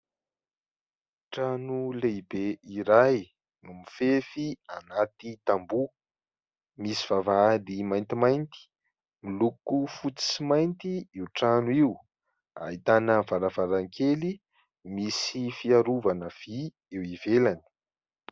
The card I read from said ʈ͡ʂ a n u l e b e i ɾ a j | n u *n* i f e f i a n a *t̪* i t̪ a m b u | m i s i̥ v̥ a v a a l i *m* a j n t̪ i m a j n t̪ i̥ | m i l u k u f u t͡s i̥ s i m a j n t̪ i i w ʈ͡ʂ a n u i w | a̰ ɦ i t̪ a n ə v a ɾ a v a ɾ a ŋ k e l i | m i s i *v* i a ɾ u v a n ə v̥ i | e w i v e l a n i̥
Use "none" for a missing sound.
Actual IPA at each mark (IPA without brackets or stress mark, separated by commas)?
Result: m, t̪, m, f